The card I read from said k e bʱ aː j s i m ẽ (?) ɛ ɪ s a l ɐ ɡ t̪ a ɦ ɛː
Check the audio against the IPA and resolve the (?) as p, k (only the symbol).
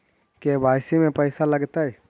p